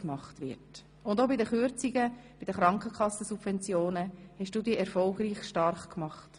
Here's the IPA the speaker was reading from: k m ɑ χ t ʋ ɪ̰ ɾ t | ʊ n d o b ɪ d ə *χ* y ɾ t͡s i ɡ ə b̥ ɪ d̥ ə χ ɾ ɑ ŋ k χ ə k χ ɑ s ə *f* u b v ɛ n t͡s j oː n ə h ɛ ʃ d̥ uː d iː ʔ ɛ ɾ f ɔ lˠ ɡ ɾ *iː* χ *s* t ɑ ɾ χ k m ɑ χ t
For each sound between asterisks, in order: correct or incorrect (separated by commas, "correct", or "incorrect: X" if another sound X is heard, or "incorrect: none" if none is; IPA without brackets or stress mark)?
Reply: correct, incorrect: s, correct, incorrect: ʃ